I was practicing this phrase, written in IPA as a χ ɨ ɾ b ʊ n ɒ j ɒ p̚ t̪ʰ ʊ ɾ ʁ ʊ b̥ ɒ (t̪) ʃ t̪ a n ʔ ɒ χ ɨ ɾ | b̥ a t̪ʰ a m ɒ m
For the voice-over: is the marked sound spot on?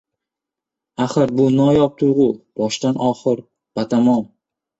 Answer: no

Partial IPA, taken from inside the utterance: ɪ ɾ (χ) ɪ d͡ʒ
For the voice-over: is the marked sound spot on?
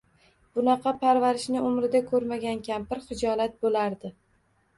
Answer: yes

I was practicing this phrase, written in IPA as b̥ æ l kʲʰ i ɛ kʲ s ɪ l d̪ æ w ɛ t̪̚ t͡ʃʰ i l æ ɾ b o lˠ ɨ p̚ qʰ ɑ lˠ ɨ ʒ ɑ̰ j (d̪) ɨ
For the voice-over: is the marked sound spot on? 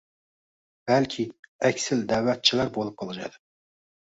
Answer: yes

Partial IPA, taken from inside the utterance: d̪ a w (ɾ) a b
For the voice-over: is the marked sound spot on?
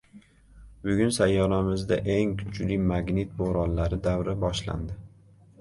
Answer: yes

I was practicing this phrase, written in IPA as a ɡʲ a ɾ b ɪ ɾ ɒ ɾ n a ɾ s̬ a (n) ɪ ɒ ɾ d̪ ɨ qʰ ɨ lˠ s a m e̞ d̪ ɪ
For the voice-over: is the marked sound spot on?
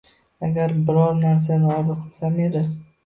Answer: yes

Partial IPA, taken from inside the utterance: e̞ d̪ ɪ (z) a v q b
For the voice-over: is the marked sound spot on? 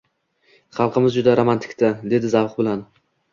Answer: yes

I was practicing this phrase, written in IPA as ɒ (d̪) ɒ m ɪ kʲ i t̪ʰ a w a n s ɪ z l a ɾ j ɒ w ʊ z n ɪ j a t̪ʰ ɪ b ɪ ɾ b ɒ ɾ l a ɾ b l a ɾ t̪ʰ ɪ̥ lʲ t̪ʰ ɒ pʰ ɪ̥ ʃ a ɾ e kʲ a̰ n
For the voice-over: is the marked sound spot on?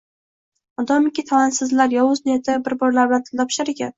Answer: yes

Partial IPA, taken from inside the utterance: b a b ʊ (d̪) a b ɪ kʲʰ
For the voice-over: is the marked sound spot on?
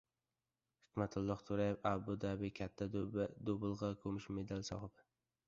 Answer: yes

